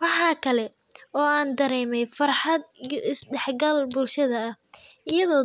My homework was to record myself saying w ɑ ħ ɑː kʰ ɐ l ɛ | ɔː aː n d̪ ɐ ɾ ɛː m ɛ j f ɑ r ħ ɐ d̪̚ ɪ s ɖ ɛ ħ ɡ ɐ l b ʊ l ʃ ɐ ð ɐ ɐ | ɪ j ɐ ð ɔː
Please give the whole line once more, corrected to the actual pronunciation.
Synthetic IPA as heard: w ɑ ħ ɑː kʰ ɐ l ɛ | ɔː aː n d̪ ɐ ɾ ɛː m ɛ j f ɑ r ħ ɑ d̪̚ ɪ s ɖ ɛ ħ ɡ ɐ l b ʊ l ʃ ɐ ð ɐ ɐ | ɪ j ɐ ð ɔː